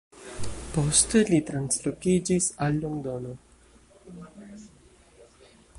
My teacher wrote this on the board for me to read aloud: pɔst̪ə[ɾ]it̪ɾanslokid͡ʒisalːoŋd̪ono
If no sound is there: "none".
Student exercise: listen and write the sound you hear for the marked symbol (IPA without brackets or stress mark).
l